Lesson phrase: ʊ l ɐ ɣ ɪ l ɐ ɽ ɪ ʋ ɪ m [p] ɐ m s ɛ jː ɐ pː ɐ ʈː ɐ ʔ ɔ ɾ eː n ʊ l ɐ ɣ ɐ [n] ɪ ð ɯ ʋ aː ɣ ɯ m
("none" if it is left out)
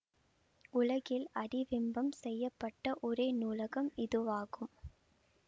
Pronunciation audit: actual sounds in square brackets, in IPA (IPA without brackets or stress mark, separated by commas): b, m